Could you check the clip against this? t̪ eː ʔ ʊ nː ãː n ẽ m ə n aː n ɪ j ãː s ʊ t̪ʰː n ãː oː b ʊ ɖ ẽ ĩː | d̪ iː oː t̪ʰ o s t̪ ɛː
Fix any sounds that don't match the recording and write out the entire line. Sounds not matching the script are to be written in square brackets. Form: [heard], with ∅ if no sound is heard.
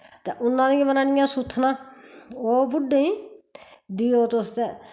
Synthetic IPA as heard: t̪ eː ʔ ʊ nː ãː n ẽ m ə n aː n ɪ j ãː s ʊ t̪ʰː n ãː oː b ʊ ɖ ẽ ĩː | d̪ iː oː [t̪] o s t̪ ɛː